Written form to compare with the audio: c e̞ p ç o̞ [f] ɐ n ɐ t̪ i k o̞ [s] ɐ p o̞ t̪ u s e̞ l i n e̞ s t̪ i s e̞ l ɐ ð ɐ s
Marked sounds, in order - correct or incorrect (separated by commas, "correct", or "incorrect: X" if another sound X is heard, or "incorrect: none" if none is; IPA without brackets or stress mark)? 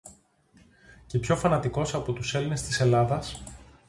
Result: correct, correct